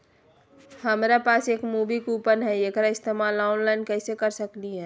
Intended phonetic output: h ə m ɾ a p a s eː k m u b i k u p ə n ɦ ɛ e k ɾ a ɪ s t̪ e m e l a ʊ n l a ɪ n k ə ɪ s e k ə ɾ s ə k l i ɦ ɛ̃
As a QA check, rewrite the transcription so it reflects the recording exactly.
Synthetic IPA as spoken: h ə m ɾ a p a s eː k m u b i k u p ə n ɦ ɛ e k ɾ a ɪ s t̪ e m a l a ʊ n l a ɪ n k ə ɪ s e k ə ɾ s ə k l i ɦ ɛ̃